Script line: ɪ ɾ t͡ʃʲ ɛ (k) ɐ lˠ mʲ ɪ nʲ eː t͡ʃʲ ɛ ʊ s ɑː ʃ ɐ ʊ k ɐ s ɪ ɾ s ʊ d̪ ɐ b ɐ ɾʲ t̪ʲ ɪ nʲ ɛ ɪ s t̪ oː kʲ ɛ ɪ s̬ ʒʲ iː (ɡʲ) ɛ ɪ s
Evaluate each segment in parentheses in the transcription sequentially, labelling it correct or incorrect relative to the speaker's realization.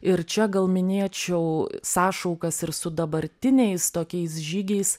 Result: incorrect, correct

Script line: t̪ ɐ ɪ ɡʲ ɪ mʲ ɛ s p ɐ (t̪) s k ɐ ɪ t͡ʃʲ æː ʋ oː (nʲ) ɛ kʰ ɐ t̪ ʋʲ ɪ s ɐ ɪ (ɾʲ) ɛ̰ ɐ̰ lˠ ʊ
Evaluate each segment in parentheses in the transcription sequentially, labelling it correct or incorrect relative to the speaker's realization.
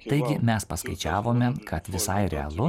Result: incorrect, incorrect, correct

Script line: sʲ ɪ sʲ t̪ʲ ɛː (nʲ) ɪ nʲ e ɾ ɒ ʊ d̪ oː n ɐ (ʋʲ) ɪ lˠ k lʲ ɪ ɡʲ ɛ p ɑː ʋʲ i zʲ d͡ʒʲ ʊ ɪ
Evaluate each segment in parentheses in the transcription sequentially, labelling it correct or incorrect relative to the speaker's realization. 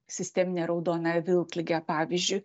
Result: incorrect, correct

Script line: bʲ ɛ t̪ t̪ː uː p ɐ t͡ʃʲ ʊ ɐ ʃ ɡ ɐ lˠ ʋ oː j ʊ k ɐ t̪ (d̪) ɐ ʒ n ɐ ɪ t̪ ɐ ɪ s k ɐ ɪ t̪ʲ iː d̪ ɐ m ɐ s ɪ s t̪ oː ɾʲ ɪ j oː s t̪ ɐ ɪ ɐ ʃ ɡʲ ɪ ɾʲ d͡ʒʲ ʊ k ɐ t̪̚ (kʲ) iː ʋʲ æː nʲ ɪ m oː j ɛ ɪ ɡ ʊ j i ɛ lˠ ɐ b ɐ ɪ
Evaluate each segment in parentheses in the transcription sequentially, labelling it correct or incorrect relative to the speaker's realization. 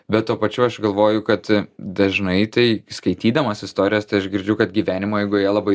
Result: correct, incorrect

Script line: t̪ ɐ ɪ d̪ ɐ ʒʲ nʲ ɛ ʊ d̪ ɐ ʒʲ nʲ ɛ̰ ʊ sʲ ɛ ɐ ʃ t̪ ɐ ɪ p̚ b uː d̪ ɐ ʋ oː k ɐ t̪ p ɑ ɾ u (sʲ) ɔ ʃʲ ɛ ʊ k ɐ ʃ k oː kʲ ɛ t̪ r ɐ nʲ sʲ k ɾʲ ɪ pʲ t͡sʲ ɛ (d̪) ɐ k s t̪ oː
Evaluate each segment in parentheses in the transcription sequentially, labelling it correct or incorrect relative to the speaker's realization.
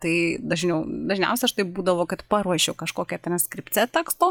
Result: incorrect, incorrect

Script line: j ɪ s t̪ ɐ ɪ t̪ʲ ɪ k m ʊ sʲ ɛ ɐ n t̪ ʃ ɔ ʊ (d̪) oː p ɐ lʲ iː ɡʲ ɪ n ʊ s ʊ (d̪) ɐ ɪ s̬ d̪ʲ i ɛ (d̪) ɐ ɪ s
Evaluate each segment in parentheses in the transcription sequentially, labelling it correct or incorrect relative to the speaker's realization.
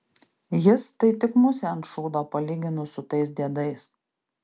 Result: correct, incorrect, correct

